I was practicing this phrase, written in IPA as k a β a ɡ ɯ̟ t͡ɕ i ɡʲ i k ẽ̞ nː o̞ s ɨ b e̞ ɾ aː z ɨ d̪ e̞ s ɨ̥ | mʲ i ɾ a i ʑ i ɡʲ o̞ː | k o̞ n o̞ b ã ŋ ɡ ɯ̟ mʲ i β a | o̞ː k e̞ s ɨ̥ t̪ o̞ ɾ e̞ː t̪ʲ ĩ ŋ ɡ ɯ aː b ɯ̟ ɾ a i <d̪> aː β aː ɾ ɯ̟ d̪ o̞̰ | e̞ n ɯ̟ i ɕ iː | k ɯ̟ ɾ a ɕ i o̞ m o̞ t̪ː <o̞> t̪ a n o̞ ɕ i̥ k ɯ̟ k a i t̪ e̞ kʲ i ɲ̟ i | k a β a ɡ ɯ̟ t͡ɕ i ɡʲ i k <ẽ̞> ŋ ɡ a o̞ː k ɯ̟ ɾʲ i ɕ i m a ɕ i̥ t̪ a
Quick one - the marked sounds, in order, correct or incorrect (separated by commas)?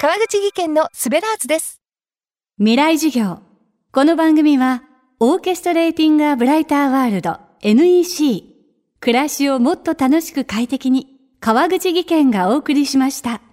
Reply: incorrect, correct, correct